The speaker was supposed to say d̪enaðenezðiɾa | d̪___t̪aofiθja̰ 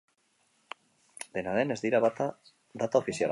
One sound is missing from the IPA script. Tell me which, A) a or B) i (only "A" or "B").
A